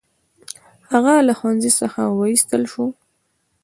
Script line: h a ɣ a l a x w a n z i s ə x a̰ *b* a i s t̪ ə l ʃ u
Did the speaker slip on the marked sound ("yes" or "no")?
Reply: yes